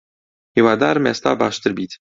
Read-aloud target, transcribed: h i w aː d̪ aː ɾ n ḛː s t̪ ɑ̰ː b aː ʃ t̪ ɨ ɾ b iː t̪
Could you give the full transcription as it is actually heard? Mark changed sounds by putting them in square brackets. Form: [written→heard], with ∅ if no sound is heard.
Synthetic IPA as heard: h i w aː d̪ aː ɾ [n→m] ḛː s t̪ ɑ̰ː b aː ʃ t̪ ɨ ɾ b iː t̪